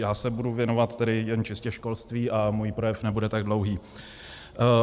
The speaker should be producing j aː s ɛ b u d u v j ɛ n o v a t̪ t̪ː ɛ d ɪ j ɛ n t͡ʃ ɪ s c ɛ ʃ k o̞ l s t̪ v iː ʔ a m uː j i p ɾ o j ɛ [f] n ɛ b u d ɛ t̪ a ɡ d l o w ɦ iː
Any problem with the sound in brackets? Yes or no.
no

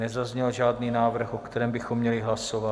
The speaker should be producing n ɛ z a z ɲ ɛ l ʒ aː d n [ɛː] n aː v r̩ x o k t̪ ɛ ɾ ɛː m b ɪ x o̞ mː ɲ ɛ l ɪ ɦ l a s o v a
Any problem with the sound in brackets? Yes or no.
yes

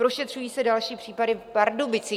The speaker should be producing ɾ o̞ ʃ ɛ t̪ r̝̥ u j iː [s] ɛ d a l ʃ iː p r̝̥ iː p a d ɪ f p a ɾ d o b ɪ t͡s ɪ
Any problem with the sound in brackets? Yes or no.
no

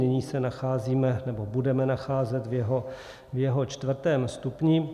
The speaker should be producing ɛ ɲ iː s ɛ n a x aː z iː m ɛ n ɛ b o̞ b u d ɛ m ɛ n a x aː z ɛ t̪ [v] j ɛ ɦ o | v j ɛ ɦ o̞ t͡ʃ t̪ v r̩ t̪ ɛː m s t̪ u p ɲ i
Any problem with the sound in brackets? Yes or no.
no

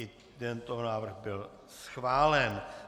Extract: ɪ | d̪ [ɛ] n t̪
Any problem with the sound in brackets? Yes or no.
no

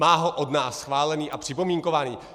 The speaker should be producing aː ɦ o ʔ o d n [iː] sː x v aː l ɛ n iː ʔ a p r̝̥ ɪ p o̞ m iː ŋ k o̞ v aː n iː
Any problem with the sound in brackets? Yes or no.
yes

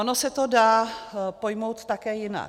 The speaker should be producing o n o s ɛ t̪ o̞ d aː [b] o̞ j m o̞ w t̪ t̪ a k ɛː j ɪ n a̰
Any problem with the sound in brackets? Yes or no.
yes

